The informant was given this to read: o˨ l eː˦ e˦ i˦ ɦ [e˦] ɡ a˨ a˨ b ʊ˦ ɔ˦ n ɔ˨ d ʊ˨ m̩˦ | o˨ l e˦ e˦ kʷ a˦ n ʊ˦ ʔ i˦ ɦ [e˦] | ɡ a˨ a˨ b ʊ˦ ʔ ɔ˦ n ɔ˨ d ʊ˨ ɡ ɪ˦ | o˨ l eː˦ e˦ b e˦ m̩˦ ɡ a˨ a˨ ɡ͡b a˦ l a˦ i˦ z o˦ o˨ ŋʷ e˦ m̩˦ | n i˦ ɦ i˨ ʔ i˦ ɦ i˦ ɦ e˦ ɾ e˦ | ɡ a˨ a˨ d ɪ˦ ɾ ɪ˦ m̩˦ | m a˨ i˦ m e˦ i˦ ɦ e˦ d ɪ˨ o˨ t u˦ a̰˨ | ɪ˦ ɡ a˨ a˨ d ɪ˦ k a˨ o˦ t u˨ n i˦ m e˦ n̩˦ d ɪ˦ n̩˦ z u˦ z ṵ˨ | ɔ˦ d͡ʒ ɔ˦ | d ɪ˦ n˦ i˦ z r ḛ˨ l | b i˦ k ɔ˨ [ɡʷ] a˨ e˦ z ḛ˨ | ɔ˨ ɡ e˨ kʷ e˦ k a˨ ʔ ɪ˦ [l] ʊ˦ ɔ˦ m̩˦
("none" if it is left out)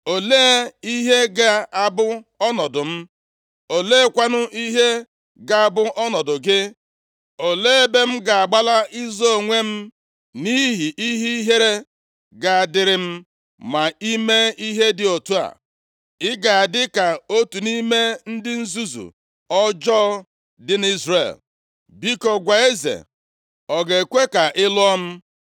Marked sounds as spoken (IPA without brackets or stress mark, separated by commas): e˦, e˦, ɡʷ, l